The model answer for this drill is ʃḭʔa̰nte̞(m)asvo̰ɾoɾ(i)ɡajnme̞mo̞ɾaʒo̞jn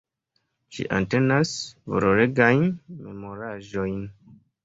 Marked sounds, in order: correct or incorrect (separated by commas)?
incorrect, incorrect